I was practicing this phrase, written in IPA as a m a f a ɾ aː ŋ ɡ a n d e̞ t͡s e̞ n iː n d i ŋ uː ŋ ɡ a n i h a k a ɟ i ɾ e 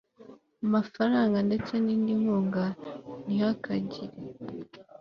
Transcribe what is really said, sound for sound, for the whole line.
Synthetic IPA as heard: a m a f a ɾ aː ŋ ɡ a n d e̞ t͡s e̞ n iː n d i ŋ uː ŋ ɡ a n i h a k a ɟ i ɾ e